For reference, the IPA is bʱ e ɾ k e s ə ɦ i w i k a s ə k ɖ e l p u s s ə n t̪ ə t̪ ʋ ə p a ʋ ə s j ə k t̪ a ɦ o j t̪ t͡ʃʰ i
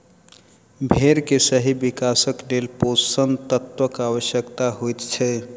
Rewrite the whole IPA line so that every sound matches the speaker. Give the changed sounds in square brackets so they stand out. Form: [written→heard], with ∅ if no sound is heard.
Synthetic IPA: bʱ e ɾ k e s ə ɦ i [w→b] i k a s ə k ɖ e l p [u→o] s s ə n t̪ ə t̪ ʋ ə [p→k] a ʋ ə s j ə k t̪ a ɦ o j t̪ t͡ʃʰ [i→ɛ]